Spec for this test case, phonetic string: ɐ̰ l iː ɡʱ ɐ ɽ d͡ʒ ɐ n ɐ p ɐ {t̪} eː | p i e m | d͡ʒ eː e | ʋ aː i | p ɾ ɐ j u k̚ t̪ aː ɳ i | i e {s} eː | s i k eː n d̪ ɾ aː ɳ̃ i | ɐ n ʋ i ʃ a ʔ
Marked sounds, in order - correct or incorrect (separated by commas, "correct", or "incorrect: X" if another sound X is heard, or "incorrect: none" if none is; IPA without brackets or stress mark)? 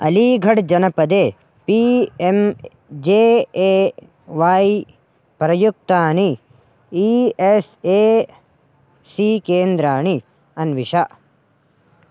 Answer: incorrect: d̪, correct